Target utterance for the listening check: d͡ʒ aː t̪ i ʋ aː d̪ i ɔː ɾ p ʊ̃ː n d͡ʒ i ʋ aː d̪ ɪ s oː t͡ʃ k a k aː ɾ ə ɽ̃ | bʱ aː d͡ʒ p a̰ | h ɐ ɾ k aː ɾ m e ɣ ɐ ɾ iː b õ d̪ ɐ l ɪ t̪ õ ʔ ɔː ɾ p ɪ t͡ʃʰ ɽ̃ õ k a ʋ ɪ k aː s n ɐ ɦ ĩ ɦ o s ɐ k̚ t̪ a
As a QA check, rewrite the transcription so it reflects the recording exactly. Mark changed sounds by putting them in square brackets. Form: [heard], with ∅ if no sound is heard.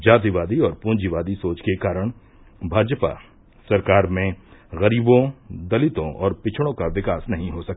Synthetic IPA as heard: d͡ʒ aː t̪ i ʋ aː d̪ i ɔː ɾ p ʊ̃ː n d͡ʒ i ʋ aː d̪ [i] s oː t͡ʃ k [e] k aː ɾ ə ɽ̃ | bʱ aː d͡ʒ p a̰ | [s] ɐ ɾ k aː ɾ m [ẽ] ɣ ɐ ɾ iː b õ d̪ ɐ l ɪ t̪ õ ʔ ɔː ɾ p ɪ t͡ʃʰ ɽ̃ õ k a ʋ ɪ k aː s n ɐ ɦ ĩ ɦ o s ɐ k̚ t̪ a